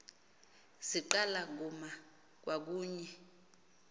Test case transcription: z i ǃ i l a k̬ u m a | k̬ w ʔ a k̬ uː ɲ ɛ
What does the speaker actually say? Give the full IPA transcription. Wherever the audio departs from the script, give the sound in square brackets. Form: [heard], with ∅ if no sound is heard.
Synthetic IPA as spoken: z i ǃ [a] l a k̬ u m a | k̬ w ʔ a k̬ uː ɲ ɛ